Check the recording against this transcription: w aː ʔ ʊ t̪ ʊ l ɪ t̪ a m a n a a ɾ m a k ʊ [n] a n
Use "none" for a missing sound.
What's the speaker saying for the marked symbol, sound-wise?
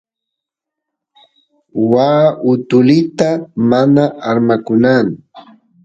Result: n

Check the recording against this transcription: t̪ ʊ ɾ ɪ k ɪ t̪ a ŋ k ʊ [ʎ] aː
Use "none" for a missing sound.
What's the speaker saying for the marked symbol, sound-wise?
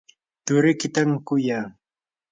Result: j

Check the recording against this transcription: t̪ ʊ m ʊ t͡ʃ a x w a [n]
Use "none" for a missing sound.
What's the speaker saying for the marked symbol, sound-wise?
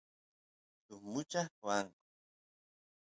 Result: ŋ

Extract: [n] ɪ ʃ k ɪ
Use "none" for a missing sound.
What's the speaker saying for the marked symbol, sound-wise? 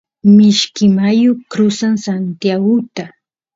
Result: m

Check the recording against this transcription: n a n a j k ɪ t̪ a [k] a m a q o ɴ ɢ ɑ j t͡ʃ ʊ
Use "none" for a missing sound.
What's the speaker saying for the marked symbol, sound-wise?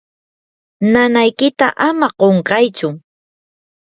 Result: ʔ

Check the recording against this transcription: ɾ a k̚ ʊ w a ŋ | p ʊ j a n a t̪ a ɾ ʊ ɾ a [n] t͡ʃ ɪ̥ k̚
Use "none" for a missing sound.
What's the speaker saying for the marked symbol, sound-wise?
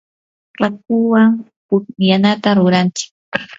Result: n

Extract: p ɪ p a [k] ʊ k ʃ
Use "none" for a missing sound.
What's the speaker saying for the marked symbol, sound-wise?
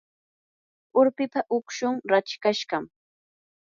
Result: ʔ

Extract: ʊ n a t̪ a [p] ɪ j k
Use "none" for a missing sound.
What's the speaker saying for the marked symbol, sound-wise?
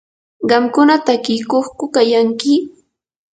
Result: k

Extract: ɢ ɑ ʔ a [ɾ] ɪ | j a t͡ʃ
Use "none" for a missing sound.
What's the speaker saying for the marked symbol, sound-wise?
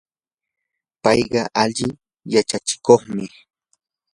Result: ʎ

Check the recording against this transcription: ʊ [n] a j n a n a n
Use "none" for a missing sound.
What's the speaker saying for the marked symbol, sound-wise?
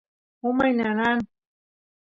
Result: m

